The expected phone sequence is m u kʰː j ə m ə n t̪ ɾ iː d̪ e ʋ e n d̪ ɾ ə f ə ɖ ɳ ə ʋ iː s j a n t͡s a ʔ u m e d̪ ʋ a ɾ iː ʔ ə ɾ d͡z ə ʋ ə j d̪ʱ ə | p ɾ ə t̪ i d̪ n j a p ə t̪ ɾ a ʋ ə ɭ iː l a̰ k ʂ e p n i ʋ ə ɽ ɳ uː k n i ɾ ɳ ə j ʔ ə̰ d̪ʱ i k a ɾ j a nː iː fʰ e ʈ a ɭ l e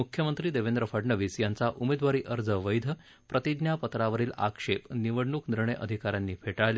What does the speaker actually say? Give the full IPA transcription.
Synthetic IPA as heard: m u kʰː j ə m ə n t̪ ɾ iː d̪ e ʋ e n d̪ ɾ ə f ə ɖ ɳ ə ʋ iː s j a n t͡s a ʔ u m e d̪ ʋ a ɾ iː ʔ ə ɾ d͡z ə ʋ ə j d̪ʱ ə | p ɾ ə t̪ i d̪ n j a p ə t̪ ɾ a ʋ ə ɾ iː l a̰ k ʂ e p n i ʋ ə ɽ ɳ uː k n i ɾ ɳ ə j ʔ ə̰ d̪ʱ i k a ɾ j a nː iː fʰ e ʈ a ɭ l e